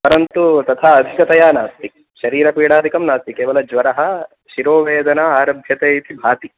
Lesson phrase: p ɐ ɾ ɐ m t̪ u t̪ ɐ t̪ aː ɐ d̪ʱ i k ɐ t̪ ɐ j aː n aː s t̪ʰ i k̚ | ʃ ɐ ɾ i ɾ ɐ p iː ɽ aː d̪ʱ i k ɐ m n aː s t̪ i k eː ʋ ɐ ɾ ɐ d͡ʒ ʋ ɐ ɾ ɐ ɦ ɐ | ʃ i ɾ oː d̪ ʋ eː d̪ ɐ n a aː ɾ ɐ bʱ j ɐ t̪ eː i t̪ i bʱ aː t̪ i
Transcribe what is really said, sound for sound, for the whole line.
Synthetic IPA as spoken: p ɐ ɾ ɐ n t̪ u t̪ ɐ t̪ʰ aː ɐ d̪ʱ i k ɐ t̪ ɐ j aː n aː s t̪ i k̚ | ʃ ɐ ɾ iː ɾ ɐ p iː ɽ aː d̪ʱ i k ɐ m n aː s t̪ i k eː ʋ ɐ l ɐ d͡ʒ ʋ ɐ ɾ ɐ ɦ ɐ | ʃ i ɾ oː ʋ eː d̪ ɐ n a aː ɾ ɐ bʱ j ɐ t̪ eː i t̪ i bʱ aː t̪ i